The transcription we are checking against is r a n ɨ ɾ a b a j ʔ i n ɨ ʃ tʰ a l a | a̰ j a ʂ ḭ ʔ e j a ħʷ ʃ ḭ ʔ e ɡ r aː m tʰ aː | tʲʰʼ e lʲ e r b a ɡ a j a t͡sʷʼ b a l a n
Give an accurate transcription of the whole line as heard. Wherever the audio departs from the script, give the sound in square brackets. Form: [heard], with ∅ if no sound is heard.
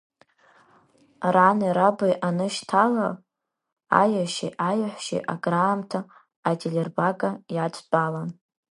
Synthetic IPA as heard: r a n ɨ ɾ a b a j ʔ [a] n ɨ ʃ tʰ a l a | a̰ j a [ʃ] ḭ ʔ [a] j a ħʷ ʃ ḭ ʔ [a] ɡ r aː m tʰ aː | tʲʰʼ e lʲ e r b a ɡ a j a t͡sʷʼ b a l a n

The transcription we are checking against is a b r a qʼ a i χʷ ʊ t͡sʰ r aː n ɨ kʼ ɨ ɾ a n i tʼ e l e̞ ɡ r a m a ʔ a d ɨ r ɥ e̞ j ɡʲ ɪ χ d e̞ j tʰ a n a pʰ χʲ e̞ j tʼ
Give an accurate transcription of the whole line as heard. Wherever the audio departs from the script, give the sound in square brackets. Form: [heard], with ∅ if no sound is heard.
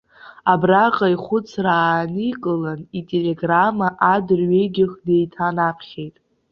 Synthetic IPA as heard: a b r a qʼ a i χʷ ʊ t͡sʰ r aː n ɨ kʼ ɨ [l] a n i tʼ e l e̞ ɡ r a m a ʔ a d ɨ r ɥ e̞ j ɡʲ ɪ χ d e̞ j tʰ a n a pʰ χʲ e̞ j tʼ

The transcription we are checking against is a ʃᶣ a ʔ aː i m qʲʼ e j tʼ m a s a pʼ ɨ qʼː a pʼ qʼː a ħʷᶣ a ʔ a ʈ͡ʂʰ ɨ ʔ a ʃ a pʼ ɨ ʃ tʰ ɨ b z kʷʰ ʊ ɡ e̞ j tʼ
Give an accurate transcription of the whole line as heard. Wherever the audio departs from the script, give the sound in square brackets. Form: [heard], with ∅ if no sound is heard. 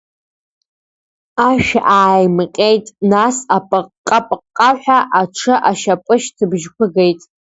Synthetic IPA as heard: a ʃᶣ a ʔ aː [j] m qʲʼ e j tʼ [n] a s a pʼ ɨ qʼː a pʼ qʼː a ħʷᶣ a ʔ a ʈ͡ʂʰ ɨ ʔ a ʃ a pʼ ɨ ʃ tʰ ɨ b [ʒ] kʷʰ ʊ ɡ e̞ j tʼ

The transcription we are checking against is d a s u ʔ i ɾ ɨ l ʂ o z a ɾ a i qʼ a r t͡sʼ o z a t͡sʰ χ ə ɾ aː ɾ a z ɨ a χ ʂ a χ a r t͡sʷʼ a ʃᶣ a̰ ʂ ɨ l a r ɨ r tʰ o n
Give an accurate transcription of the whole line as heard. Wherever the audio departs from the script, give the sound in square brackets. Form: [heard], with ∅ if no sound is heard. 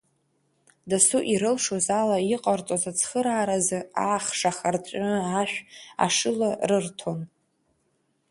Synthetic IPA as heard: d a s u ʔ i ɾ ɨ l ʂ o z a [l] a i qʼ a r t͡sʼ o z a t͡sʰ χ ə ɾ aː ɾ a z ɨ a χ ʂ a χ a r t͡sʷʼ a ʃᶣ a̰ ʂ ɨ l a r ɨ r tʰ o n

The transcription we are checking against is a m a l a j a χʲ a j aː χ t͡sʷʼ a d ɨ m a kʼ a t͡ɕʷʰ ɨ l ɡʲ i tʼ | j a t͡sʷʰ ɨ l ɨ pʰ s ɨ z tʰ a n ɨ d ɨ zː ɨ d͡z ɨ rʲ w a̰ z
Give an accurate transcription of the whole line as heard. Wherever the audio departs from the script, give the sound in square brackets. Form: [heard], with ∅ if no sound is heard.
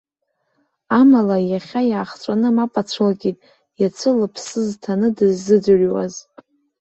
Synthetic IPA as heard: a m a l a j a χʲ a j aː χ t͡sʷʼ a [n] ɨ m a [pʼ] a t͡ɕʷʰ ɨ l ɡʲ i tʼ | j a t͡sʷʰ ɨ l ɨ pʰ s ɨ z tʰ a n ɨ d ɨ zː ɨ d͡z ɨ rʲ w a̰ z

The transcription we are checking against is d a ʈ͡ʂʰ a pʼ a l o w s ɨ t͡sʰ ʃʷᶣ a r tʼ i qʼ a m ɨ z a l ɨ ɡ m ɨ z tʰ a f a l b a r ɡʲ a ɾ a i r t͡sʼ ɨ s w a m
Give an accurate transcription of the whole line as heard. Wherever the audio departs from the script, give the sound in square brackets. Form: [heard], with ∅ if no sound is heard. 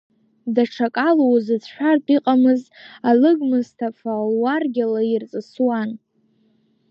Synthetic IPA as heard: d a ʈ͡ʂʰ a [kʼ] a l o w [z] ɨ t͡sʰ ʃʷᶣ a r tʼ i qʼ a m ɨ z a l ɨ ɡ m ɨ z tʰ a f a l [w] a r ɡʲ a [l] a i r t͡sʼ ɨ s w a [n]

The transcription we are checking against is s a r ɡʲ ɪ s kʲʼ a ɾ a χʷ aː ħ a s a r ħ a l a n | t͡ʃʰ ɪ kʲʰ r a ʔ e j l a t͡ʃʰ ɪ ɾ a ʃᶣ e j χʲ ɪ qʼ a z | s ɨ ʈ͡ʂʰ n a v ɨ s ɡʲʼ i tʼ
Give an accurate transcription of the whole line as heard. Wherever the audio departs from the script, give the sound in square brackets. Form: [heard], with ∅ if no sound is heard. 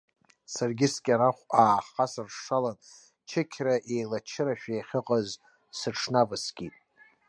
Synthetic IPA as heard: s a r ɡʲ ɪ s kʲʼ a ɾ a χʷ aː [χ] a s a r [ʂ] a l a n | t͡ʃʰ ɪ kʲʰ r a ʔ e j l a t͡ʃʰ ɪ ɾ a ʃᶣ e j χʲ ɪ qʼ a z | s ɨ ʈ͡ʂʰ n a v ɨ s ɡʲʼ i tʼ

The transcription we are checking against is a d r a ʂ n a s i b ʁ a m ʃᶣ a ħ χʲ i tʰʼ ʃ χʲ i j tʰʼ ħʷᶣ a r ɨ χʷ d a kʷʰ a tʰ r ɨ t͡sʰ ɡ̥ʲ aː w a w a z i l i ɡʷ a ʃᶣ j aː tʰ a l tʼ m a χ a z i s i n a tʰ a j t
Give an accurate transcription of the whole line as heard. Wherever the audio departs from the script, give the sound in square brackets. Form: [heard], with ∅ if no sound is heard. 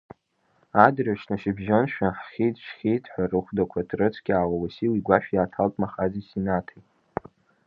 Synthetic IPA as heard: a d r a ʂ n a [ʃ] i b [ʒ] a [n] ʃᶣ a ħ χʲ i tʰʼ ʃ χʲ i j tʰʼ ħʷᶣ a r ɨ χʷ d a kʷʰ a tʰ r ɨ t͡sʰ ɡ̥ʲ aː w a w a [s] i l i ɡʷ a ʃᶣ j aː tʰ a l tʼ m a χ a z i s i n a tʰ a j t

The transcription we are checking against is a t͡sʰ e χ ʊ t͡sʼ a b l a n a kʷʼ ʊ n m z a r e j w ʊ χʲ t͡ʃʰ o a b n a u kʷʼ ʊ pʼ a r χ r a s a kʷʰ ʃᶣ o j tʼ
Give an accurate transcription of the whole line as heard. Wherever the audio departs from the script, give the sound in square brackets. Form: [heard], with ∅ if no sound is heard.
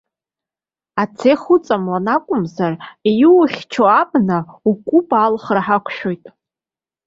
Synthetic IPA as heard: a t͡sʰ e χ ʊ t͡sʼ a [m] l a n a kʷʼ ʊ [∅] m z a r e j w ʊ χʲ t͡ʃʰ o a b n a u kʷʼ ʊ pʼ a [l] χ r a [ħ] a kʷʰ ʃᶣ o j tʼ

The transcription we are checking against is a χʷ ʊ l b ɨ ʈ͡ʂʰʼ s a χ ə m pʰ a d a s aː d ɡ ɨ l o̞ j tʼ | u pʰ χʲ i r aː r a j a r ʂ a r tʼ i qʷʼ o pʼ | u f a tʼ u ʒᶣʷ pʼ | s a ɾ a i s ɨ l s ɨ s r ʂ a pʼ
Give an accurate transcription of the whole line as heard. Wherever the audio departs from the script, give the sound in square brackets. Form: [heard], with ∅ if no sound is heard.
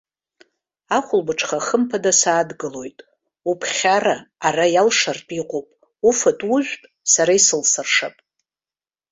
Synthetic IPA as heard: a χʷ ʊ l b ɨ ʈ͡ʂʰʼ [χ] a χ ə m pʰ a d a s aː d ɡ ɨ l o̞ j tʼ | u pʰ χʲ [a] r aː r a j a [l] ʂ a r tʼ i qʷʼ o pʼ | u f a tʼ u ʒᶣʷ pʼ | s a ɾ a i s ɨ l s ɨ [∅] r ʂ a pʼ

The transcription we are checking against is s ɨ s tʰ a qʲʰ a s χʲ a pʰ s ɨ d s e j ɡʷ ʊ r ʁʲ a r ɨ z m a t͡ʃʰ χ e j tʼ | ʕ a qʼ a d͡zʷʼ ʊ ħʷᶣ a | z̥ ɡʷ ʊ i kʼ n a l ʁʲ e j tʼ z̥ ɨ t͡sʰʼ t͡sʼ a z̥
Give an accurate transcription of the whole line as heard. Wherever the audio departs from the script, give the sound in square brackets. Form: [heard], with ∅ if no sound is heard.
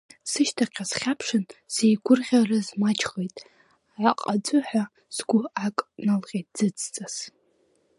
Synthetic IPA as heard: s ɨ [ʃ] tʰ a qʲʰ a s χʲ a pʰ [ʂ] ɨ [n] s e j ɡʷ ʊ r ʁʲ a r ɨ z m a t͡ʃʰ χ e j tʼ | ʕ a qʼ a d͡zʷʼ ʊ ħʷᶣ a | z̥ ɡʷ ʊ [a] kʼ n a l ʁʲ e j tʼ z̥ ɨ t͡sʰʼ t͡sʼ a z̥

